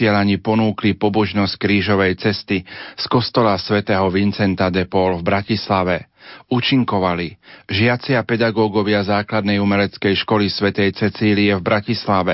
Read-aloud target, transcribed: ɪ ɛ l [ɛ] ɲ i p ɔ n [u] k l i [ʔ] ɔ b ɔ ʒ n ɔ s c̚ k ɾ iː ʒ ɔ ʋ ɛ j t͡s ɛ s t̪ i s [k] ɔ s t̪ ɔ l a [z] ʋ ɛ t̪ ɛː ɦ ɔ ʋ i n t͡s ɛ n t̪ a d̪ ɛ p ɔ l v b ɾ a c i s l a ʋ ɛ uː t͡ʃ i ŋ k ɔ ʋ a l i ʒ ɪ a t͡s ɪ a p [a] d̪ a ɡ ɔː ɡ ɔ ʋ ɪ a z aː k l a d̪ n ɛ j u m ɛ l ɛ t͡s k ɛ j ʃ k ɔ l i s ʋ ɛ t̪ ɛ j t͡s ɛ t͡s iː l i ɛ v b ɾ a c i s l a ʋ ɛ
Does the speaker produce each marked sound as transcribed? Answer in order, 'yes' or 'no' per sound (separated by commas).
no, no, no, yes, no, no